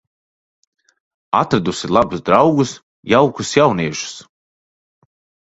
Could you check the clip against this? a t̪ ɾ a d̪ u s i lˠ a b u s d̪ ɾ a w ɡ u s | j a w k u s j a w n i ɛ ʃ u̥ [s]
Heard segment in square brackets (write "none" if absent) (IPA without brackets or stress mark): s